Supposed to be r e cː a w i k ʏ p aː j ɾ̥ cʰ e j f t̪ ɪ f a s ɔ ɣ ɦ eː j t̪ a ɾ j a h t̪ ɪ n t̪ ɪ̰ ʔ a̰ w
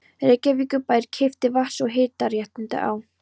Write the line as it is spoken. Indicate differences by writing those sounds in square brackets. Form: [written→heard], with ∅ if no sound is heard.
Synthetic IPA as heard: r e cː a [w→v] i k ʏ p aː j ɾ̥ cʰ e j f t̪ ɪ [f→v] a s ɔ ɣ ɦ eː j t̪ a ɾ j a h t̪ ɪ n t̪ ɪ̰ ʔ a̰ w